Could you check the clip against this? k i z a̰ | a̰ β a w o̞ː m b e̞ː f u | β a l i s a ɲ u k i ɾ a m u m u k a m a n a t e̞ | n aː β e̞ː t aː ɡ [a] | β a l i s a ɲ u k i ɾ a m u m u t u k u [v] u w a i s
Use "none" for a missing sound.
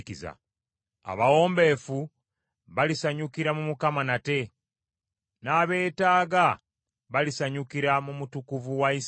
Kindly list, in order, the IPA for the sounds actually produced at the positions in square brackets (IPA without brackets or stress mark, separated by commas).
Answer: a, v